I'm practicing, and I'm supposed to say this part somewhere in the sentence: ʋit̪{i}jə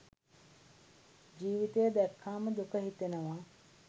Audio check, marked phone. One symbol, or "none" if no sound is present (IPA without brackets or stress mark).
e